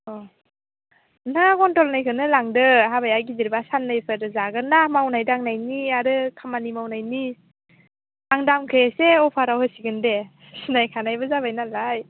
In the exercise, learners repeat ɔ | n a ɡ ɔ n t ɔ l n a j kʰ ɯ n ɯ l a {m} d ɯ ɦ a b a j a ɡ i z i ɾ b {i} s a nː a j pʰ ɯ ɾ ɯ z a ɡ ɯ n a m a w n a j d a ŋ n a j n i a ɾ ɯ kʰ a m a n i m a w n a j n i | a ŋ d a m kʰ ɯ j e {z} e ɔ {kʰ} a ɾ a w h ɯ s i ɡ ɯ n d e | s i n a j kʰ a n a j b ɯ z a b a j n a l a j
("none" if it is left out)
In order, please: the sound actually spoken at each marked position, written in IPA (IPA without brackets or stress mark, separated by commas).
ŋ, a, s, pʰ